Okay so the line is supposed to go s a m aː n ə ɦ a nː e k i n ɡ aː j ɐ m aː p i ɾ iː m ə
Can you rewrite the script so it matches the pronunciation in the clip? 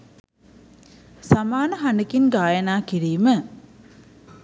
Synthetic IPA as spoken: s a m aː n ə ɦ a n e k i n ɡ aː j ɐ n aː k i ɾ iː m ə